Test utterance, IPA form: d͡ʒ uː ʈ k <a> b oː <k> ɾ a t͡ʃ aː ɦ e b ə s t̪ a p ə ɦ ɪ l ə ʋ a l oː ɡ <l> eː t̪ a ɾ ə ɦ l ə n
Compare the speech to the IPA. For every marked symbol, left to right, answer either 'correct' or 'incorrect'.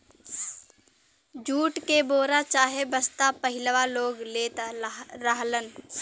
incorrect: e, incorrect: none, correct

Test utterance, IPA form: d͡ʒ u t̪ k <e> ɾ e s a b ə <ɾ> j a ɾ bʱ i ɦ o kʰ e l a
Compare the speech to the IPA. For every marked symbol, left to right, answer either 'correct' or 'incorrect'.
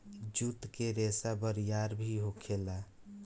correct, correct

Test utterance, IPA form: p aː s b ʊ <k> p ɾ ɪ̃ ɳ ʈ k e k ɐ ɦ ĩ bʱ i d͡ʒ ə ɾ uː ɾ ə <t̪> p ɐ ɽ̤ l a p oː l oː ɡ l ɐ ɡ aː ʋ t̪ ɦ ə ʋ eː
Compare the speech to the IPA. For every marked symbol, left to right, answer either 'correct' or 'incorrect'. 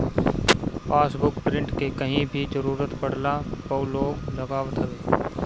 correct, correct

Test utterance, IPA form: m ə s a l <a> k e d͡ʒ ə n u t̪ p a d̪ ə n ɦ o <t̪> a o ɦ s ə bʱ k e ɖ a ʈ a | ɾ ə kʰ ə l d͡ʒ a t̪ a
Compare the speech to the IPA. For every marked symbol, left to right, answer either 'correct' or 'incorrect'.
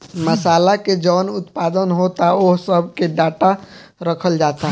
correct, correct

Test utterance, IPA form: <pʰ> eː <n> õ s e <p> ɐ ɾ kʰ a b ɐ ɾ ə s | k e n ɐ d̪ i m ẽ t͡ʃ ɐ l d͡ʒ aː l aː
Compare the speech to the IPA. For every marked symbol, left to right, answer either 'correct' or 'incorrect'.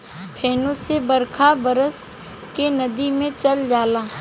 correct, correct, incorrect: b

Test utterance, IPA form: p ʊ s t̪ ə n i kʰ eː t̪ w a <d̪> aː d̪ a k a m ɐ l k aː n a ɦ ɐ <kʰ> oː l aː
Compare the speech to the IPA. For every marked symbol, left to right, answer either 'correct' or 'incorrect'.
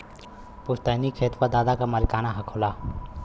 correct, correct

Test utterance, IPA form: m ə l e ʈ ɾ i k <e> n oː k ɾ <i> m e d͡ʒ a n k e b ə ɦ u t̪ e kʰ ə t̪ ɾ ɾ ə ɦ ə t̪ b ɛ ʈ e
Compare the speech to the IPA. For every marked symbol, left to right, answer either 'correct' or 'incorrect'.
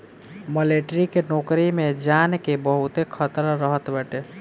correct, correct

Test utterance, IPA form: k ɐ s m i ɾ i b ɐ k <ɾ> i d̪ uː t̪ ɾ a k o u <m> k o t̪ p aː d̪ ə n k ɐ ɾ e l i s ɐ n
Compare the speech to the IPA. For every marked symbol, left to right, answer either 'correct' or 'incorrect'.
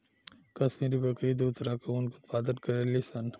correct, incorrect: n

